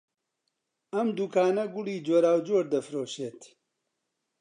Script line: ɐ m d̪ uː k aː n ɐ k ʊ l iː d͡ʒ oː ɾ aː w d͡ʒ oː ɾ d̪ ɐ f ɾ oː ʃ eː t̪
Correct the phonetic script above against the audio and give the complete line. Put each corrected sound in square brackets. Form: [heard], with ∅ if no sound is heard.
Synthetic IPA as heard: ɐ m d̪ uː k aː n ɐ [ɡ] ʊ l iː d͡ʒ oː ɾ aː w d͡ʒ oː ɾ d̪ ɐ f ɾ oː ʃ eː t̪